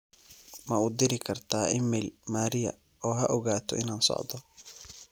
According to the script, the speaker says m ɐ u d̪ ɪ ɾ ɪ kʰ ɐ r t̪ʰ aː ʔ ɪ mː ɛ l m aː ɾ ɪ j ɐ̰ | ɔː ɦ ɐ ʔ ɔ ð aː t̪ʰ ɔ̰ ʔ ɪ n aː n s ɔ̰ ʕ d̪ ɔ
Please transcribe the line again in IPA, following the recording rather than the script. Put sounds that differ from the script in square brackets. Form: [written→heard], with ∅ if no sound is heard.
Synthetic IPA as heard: m ɐ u d̪ ɪ ɾ ɪ kʰ ɐ r t̪ʰ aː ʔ ɪ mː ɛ l m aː ɾ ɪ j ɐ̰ | ɔː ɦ ɐ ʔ ɔ [ð→ɣ] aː t̪ʰ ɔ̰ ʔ ɪ n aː n s ɔ̰ ʕ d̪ ɔ